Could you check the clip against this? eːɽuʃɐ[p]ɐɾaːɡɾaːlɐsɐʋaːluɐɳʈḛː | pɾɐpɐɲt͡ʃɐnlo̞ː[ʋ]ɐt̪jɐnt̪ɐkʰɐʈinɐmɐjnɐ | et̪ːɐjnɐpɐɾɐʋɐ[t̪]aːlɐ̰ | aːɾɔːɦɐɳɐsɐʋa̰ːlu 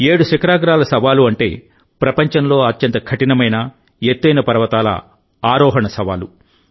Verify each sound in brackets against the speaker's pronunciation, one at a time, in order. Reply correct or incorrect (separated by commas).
incorrect, incorrect, correct